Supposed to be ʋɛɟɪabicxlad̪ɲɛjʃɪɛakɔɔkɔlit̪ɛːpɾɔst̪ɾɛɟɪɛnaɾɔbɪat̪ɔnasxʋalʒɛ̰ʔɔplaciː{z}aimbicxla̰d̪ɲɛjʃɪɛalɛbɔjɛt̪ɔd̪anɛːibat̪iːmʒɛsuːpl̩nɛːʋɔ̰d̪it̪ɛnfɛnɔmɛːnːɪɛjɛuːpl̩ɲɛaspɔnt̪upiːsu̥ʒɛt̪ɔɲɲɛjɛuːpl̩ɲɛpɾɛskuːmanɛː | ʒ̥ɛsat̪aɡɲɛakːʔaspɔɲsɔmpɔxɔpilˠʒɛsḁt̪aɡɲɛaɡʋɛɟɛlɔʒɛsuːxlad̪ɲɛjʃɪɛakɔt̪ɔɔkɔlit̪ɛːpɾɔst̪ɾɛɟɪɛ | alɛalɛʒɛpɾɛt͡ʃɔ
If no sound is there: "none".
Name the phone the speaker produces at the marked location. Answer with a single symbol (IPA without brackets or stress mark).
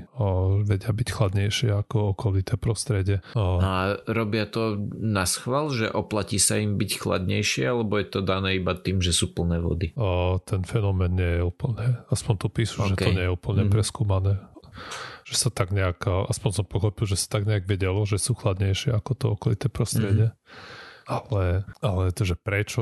s